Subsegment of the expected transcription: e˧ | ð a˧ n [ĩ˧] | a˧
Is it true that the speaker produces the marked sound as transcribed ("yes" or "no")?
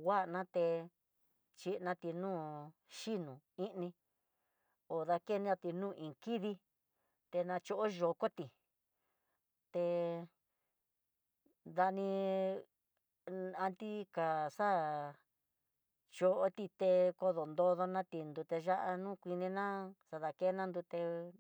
yes